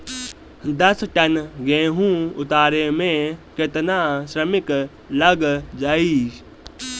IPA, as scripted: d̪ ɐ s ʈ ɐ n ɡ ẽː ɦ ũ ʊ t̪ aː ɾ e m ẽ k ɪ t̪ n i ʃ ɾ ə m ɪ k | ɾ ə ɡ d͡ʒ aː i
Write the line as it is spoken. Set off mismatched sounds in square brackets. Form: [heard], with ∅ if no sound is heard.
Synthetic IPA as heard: d̪ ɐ s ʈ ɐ n ɡ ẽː ɦ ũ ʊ t̪ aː ɾ e m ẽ k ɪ t̪ n [a] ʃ ɾ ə m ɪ k | [l] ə ɡ d͡ʒ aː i